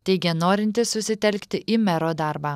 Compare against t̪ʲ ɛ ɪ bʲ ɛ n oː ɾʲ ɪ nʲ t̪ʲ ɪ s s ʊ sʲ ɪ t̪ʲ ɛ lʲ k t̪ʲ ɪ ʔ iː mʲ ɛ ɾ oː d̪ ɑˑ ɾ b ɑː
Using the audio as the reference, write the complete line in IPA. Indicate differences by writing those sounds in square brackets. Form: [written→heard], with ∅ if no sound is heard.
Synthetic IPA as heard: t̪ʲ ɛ ɪ [bʲ→ɡʲ] ɛ n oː ɾʲ ɪ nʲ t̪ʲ ɪ s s ʊ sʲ ɪ t̪ʲ ɛ lʲ k t̪ʲ ɪ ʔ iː mʲ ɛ ɾ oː d̪ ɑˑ ɾ b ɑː

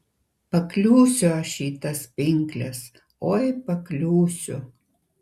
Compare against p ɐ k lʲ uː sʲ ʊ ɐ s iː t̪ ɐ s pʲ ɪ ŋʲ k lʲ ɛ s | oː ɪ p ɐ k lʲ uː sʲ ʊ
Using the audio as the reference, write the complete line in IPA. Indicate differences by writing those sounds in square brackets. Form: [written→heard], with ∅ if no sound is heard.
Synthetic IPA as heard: p ɐ k lʲ uː sʲ ʊ ɐ [s→ʃ] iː t̪ ɐ s pʲ ɪ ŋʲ k lʲ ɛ s | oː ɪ p ɐ k lʲ uː sʲ ʊ

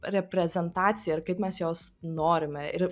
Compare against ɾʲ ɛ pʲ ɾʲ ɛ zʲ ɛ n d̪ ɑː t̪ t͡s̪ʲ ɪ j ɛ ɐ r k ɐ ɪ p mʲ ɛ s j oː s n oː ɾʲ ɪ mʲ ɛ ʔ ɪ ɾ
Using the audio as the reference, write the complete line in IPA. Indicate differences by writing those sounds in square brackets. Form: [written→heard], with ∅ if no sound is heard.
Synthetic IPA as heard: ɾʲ ɛ pʲ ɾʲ ɛ zʲ ɛ n [d̪→t̪] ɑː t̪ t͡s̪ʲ ɪ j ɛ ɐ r k ɐ ɪ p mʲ ɛ s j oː s n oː ɾʲ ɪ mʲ ɛ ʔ ɪ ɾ

